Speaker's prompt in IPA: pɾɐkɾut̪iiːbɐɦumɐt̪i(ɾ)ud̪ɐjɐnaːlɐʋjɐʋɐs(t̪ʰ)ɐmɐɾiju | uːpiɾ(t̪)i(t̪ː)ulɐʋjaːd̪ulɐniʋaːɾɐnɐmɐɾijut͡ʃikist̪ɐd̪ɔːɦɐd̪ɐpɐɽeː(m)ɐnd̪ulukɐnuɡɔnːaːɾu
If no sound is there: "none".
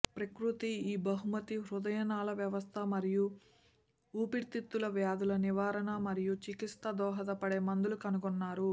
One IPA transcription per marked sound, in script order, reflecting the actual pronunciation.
ɾ, t̪ʰ, t̪, t̪ː, m

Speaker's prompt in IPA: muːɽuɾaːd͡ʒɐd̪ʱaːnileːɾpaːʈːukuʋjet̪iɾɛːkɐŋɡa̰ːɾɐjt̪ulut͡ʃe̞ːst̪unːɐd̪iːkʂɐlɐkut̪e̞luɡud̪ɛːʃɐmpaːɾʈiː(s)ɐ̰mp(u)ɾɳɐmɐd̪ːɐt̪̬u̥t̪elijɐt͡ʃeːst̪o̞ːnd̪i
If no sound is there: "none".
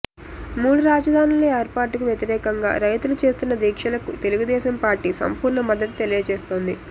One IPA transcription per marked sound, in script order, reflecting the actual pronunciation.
s, uː

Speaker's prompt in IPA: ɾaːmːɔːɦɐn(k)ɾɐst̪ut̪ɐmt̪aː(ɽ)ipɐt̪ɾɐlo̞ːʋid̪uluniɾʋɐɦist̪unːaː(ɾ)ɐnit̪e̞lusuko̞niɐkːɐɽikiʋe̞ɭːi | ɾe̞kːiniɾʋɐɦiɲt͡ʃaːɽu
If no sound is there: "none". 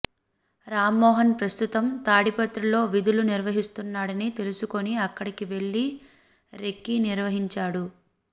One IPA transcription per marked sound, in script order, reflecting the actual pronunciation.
p, ɽ, ɽ

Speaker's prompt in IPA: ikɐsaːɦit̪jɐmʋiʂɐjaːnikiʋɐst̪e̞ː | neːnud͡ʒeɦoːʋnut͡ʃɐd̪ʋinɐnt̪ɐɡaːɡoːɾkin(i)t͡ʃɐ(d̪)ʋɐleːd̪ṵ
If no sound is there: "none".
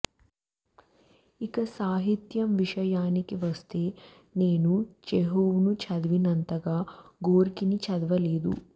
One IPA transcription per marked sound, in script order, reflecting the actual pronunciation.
i, d̪

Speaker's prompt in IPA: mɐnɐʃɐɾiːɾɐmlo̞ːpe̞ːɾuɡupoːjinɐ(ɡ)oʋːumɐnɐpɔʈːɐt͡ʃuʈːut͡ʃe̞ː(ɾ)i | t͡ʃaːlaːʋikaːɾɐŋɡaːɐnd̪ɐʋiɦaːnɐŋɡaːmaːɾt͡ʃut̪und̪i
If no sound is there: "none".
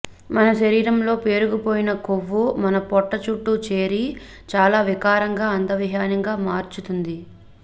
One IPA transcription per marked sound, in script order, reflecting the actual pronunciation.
k, ɾ

